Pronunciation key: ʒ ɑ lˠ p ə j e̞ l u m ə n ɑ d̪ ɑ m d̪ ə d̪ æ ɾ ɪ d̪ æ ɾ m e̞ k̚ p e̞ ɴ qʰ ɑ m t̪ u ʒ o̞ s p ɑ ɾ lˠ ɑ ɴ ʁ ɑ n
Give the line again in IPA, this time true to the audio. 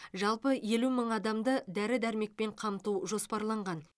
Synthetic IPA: ʒ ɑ lˠ p ə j e̞ l u m ə ɴ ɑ d̪ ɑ m d̪ ə d̪ æ ɾ ɪ d̪ æ ɾ m e̞ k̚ p e̞ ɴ qʰ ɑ m t̪ u ʒ o̞ s p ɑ ɾ lˠ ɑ ɴ ʁ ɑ n

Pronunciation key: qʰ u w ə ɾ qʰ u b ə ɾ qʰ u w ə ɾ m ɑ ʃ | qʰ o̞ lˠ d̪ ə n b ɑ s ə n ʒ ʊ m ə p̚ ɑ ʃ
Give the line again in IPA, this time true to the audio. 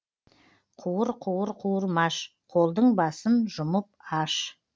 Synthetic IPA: qʰ u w ə ɾ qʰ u w ə ɾ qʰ u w ə ɾ m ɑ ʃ | qʰ o̞ lˠ d̪ ə ɴ b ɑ s ə n ʒ ʊ m ə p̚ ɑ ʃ

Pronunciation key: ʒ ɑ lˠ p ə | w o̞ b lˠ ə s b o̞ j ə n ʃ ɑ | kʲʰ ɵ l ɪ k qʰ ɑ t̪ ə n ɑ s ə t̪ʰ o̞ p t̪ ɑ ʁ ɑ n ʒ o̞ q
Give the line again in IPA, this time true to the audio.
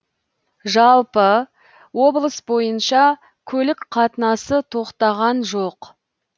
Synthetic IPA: ʒ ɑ lˠ p ə | w o̞ b lˠ ə s b o̞ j ə n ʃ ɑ | kʲʰ ɵ l ɪ k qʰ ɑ t̪ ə n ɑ s ə t̪ʰ o̞ q t̪ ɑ ʁ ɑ n ʒ o̞ q

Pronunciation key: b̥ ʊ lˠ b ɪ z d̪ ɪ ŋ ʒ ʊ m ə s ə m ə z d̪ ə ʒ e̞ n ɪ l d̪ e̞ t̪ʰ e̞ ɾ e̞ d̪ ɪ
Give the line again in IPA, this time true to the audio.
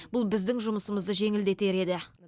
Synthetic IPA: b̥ ʊ lˠ b ɪ z d̪ ɪ ŋ ʒ ʊ m ə s ə m ə z d̪ ə ʒ e̞ ŋ ɪ l d̪ e̞ t̪ e̞ ɾ e̞ d̪ ɪ

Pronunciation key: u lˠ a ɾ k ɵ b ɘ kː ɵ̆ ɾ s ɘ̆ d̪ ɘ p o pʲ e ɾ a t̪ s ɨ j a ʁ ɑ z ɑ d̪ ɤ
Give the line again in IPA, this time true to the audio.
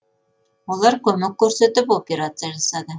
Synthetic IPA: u lˠ ɑ ɾ k ɵ m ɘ kː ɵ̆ ɾ s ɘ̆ t̪ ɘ p o pʲ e ɾ a t̪ s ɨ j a ʒ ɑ s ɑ d̪ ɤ

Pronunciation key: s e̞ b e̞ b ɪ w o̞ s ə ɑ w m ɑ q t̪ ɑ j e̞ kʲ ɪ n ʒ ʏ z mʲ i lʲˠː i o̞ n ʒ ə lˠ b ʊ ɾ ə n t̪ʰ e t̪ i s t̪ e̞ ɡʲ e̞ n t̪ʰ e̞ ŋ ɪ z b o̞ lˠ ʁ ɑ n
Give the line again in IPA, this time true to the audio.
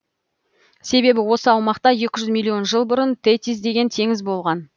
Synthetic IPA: s e̞ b e̞ b ɪ w o̞ s ə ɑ w m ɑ q t̪ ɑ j e̞ kʲ ɪ ʒ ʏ z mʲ i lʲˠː i o̞ n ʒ ə lˠ b ʊ ɾ ə n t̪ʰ e t̪ i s d̪ e̞ ɡʲ e̞ n t̪ʰ e̞ ŋ ɪ z b o̞ lˠ ʁ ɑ n

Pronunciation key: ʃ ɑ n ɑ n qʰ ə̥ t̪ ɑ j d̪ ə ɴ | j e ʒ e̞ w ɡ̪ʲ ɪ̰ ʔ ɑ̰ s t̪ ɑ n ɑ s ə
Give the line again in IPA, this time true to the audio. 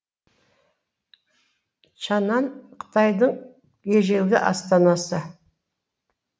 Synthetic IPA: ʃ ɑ n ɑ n qʰ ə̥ t̪ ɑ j d̪ ə ɴ | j e ʒ e̞ w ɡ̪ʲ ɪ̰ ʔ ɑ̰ s t̪ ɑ n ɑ s ə

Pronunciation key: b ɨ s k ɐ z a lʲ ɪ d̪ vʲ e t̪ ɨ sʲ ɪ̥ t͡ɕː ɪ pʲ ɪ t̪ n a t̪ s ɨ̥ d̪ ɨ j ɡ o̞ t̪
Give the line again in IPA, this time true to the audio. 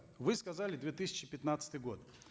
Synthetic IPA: v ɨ s k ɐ z a lʲ ɪ d̪ vʲ e t̪ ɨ sʲ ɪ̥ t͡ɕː ɪ pʲ ɪ t̪ n a t̪ s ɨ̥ t̪ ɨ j ɡ o̞ t̪

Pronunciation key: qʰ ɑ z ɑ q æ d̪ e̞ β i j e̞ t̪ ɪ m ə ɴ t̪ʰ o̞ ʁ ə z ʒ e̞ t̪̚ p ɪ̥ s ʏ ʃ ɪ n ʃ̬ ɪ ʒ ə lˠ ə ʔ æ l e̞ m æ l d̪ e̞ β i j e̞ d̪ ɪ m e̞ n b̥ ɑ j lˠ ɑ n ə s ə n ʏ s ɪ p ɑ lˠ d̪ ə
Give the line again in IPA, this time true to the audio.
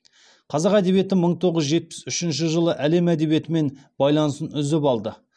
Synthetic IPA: qʰ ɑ z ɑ q æ d̪ e̞ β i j e̞ t̪ ɪ m ə ɴ t̪ʰ o̞ ʁ ə z ʒ e̞ t̪̚ p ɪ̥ s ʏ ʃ ɪ n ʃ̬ ɪ ʒ ə lˠ ə ʔ æ l e̞ m æ d̪ e̞ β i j e̞ t̪ ɪ m e̞ n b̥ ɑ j lˠ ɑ n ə s ə n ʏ z ɪ p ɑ lˠ d̪ ə

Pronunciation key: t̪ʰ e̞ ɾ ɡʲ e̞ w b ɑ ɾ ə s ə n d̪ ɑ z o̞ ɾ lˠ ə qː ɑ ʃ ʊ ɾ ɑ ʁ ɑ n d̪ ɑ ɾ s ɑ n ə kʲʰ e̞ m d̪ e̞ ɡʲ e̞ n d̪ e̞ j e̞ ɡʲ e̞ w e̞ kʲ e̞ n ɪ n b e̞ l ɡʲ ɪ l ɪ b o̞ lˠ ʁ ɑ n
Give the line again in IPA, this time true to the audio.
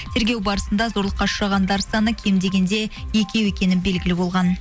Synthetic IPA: t̪ʰ e̞ ɾ ɡʲ e̞ w b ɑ ɾ ə s ə n d̪ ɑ z o̞ ɾ lˠ ə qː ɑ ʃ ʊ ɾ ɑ ʁ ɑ n d̪ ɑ ɾ s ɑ n ə kʲʰ e̞ m d̪ e̞ ɡʲ e̞ n d̪ e̞ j e̞ kʲ e̞ w e̞ kʲ e̞ n ɪ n b e̞ l ɡʲ ɪ l ɪ b o̞ lˠ ʁ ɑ n

